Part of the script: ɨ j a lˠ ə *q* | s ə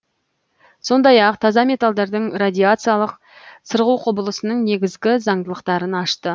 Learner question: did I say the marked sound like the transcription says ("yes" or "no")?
yes